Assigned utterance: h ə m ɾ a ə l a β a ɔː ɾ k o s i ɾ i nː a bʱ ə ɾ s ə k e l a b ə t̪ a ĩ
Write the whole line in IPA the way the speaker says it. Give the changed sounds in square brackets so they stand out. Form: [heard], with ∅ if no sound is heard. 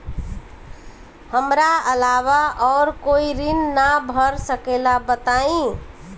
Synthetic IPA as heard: h ə m ɾ a ə l a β a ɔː ɾ k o [∅] i ɾ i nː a bʱ ə ɾ s ə k e l a b ə t̪ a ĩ